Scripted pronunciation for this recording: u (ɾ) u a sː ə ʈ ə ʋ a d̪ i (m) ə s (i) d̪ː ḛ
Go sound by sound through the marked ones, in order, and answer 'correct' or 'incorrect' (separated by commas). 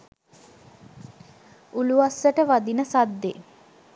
incorrect, incorrect, incorrect